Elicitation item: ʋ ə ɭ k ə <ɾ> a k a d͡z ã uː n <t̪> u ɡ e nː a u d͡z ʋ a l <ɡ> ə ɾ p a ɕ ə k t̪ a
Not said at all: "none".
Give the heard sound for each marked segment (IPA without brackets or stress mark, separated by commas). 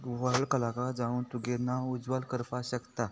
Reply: l, t̪, k